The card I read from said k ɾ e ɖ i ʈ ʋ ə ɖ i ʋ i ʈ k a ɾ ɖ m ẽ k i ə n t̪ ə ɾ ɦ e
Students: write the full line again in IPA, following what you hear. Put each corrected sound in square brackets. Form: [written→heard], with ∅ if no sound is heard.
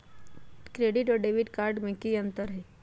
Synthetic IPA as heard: k ɾ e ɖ i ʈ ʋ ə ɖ [i→e] ʋ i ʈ k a ɾ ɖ m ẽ k i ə n t̪ ə ɾ ɦ e